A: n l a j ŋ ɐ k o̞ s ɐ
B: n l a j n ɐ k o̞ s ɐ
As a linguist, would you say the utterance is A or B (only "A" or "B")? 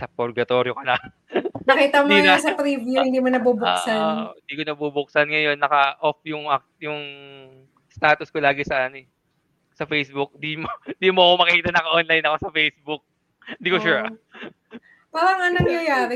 B